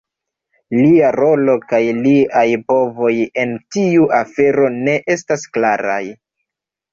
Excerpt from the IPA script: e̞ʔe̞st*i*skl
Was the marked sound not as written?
yes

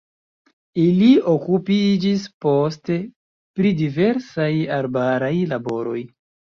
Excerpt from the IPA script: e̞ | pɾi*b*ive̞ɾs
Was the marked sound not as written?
yes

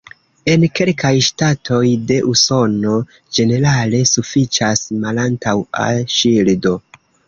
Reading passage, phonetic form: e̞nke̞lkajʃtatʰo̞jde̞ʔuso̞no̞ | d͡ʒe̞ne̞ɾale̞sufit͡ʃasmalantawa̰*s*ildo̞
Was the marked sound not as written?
yes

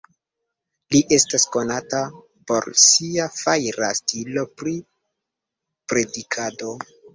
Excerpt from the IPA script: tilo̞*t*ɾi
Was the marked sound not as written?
yes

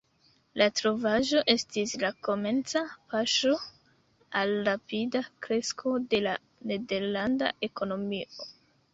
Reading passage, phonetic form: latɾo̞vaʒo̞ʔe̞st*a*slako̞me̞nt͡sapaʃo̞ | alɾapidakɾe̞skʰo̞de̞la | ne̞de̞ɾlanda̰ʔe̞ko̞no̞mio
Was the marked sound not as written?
yes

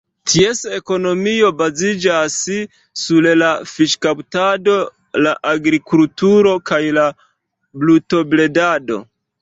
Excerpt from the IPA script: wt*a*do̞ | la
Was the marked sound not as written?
no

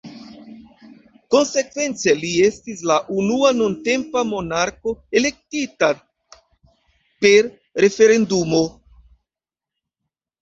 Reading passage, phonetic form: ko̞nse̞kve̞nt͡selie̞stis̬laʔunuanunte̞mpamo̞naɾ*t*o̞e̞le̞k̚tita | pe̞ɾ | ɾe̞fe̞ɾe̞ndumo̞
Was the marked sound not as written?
yes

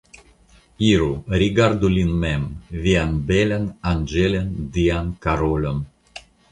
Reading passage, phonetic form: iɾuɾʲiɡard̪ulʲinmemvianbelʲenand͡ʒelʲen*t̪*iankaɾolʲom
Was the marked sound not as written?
yes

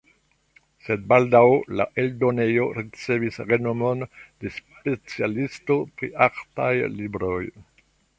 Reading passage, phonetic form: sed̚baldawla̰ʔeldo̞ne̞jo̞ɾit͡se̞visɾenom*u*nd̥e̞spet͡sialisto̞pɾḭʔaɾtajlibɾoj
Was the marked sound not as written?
yes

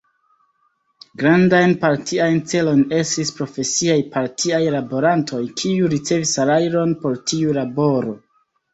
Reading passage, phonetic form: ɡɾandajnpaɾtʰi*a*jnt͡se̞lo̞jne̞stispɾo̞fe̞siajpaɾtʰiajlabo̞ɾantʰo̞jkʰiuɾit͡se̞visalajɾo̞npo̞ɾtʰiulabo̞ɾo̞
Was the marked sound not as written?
no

